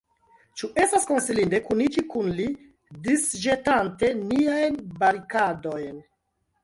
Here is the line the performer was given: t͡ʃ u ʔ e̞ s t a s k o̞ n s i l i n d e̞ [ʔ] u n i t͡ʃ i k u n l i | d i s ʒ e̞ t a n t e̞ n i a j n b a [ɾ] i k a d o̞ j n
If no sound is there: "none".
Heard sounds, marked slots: k, ɾ

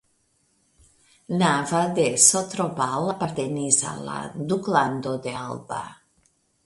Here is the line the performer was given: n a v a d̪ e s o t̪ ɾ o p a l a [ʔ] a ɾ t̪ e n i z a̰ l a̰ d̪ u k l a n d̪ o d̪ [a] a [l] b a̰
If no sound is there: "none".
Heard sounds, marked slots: p, e, l

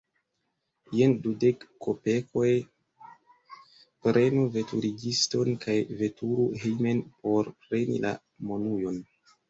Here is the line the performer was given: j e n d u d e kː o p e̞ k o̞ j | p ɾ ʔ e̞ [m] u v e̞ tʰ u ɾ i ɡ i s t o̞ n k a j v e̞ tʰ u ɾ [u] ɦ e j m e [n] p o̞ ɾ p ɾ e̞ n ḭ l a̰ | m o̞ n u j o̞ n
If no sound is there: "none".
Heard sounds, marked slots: n, u, n

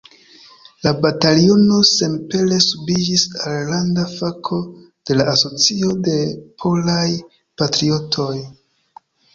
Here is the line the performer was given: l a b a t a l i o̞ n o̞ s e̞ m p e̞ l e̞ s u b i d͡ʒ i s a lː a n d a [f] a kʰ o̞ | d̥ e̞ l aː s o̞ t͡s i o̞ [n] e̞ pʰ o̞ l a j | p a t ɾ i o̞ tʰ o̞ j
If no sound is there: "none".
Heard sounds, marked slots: f, d

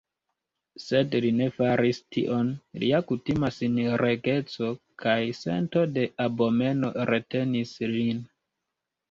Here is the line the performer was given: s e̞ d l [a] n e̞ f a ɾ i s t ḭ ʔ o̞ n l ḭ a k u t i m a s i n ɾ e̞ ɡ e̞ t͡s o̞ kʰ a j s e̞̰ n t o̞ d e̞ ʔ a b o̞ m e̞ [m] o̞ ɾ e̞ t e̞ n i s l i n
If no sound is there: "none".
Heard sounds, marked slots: i, n

